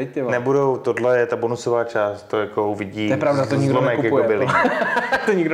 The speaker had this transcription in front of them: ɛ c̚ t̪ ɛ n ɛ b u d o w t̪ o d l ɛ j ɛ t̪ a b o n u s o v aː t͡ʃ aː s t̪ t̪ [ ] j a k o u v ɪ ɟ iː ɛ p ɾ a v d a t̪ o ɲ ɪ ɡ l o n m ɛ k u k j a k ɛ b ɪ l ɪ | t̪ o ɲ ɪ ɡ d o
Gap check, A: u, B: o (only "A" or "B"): B